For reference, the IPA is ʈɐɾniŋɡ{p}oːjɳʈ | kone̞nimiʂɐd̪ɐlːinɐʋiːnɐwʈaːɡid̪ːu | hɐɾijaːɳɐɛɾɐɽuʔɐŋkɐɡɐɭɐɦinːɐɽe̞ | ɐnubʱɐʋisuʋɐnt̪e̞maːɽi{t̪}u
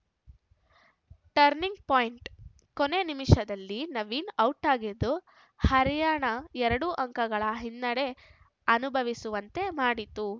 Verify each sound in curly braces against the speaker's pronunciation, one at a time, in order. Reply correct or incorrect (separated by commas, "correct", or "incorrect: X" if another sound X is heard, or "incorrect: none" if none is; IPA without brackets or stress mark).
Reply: correct, correct